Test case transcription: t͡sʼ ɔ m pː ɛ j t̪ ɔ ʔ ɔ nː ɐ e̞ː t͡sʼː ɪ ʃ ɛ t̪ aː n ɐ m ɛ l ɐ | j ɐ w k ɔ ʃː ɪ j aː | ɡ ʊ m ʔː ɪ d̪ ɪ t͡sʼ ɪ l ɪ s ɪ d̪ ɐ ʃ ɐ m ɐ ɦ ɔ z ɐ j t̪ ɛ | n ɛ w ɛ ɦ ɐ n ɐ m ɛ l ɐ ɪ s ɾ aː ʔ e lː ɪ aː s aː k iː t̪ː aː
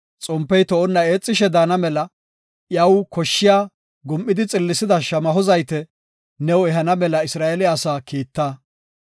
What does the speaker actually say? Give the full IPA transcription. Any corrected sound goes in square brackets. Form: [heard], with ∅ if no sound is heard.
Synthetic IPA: t͡sʼ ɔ m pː ɛ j t̪ ɔ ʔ ɔ nː ɐ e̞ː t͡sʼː ɪ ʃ ɛ [d̪] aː n ɐ m ɛ l ɐ | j ɐ w k ɔ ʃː ɪ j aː | ɡ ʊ m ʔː ɪ d̪ ɪ t͡sʼ ɪ [lː] ɪ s ɪ d̪ ɐ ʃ ɐ m ɐ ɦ ɔ z ɐ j t̪ ɛ | n ɛ w ɛ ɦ ɐ n ɐ m ɛ l ɐ ɪ s ɾ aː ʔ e [l] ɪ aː s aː k iː t̪ː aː